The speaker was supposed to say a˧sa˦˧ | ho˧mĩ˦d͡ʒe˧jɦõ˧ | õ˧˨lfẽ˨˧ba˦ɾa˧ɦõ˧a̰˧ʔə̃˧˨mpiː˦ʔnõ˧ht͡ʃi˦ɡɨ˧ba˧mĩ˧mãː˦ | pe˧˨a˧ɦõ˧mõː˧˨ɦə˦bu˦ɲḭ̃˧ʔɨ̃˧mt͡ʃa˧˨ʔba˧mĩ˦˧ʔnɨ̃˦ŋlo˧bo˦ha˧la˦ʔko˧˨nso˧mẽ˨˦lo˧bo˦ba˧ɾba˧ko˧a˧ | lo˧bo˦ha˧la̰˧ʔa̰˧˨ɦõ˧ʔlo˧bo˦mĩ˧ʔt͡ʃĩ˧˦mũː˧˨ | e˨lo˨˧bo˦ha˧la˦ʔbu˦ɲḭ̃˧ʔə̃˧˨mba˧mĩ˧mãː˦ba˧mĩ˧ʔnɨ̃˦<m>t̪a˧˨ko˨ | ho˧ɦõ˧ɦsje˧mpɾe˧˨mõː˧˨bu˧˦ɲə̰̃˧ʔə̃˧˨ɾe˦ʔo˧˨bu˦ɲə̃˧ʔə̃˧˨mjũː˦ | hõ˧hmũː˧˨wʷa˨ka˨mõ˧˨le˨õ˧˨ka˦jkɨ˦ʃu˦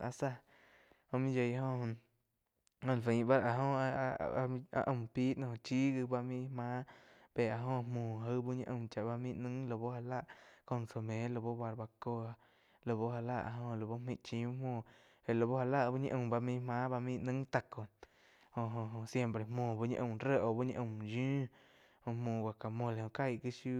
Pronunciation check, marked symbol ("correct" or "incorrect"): incorrect